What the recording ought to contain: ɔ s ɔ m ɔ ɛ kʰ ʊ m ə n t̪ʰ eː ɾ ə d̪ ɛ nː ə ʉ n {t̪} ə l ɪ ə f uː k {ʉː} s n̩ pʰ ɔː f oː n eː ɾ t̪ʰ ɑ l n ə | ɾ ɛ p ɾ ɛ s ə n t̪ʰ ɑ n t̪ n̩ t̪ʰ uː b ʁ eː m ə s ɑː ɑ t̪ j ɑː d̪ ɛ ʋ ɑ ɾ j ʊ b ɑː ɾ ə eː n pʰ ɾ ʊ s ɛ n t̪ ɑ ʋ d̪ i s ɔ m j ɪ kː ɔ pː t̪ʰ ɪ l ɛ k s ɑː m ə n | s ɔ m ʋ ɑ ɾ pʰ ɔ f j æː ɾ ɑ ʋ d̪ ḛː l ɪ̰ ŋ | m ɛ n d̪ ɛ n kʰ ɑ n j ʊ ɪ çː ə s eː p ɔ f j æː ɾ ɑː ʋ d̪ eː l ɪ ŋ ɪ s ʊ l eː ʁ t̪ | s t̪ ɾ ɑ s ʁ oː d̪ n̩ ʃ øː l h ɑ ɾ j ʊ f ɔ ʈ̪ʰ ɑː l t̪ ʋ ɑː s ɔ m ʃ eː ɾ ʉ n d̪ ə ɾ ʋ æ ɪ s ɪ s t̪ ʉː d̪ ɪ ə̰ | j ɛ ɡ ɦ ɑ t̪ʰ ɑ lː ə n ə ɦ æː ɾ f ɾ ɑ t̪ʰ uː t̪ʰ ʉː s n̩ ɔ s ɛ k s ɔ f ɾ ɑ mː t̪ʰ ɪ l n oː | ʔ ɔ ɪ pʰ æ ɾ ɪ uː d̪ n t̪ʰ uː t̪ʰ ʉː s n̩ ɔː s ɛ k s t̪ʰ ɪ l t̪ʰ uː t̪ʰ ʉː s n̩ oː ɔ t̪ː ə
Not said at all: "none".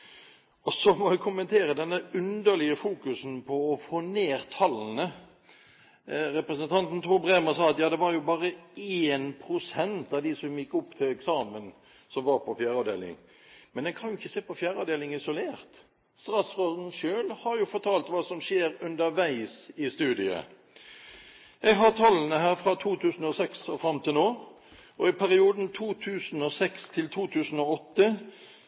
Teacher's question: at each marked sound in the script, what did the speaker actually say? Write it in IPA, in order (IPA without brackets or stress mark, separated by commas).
d̪, ʉ